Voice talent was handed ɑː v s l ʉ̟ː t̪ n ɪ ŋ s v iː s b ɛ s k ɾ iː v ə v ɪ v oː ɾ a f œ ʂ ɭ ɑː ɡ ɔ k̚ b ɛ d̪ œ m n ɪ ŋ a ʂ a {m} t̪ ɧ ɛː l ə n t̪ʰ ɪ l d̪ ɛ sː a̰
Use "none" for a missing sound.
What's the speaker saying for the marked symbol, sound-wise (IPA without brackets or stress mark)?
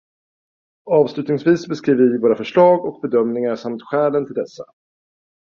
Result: m